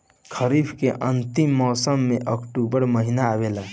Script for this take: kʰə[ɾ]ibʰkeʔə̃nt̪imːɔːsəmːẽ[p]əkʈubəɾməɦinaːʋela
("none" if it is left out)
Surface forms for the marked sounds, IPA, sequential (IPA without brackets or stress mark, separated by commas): ɾ, ʔ